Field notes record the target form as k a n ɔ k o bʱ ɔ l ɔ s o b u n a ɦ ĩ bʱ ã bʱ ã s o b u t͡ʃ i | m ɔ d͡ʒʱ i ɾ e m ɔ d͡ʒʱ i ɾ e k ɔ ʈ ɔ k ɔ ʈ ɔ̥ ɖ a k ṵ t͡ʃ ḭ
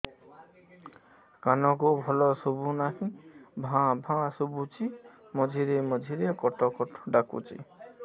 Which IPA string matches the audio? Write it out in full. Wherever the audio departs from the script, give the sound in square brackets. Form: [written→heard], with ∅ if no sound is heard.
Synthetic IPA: k a n ɔ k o bʱ ɔ l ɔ s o b u n a ɦ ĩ bʱ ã bʱ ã s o b u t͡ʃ i | m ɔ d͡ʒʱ i ɾ e m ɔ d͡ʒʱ i ɾ e k ɔ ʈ ɔ k ɔ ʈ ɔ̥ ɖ a k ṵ t͡ʃ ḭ